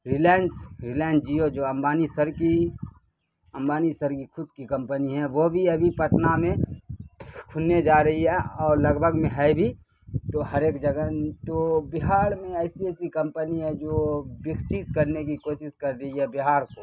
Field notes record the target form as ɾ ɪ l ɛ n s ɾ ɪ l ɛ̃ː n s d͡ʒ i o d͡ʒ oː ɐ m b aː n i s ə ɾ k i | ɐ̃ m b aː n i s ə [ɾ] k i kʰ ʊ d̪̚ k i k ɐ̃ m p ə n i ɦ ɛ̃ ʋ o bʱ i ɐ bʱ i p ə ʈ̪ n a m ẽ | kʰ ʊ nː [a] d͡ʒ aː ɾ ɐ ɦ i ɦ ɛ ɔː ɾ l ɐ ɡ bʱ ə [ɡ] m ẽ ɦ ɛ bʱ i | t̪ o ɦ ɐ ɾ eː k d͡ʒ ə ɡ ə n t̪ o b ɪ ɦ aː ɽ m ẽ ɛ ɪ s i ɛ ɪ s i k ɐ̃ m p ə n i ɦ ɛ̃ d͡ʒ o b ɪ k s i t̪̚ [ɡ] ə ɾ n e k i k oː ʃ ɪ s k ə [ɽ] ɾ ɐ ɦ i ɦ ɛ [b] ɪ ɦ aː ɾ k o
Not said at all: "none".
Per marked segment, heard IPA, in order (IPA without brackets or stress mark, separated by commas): ɾ, e, ɡ, k, ɾ, b